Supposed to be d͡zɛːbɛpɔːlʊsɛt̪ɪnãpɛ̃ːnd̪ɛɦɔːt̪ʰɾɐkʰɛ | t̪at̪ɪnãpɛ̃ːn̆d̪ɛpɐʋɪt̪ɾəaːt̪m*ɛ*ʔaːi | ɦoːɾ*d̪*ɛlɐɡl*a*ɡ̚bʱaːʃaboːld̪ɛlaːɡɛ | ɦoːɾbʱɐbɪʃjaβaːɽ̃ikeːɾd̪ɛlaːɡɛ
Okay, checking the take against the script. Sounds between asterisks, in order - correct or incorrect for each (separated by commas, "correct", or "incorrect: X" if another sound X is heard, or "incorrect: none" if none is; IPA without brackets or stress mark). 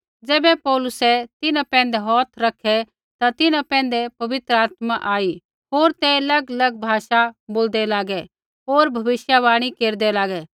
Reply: incorrect: a, incorrect: t̪, incorrect: ɐ